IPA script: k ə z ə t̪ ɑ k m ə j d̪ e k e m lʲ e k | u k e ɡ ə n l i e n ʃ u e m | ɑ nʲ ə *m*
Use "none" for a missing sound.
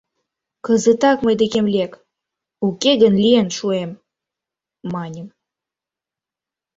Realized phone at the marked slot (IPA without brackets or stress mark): m